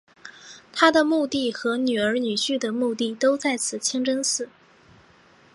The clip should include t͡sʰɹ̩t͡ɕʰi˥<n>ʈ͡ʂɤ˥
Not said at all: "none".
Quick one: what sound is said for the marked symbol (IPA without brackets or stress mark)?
ŋ